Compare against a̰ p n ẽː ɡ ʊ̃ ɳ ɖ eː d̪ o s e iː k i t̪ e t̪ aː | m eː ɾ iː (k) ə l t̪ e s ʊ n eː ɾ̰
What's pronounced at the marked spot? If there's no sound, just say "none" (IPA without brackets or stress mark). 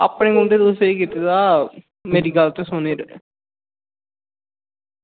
ɡ